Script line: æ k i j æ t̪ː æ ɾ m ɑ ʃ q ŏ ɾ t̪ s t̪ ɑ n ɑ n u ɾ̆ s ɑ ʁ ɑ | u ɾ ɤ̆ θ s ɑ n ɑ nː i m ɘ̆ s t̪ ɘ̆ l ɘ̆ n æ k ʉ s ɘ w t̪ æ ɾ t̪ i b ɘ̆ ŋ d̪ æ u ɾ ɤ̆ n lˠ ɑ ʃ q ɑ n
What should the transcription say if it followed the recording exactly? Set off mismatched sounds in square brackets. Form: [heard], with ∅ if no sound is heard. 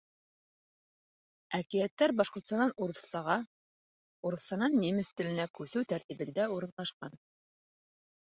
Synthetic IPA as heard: æ k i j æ t̪ː æ ɾ [b] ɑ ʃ q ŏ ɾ t̪ s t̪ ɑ n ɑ n u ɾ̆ s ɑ ʁ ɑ | u ɾ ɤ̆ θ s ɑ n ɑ nː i m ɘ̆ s t̪ ɘ̆ l ɘ̆ n æ k ʉ s ɘ w t̪ æ ɾ t̪ i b ɘ̆ [n] d̪ æ u ɾ ɤ̆ n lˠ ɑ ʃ q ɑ n